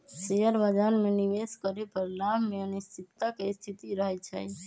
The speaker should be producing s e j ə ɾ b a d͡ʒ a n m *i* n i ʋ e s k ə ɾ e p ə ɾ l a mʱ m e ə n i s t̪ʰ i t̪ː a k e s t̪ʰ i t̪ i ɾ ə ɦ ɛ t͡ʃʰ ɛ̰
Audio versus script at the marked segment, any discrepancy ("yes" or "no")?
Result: yes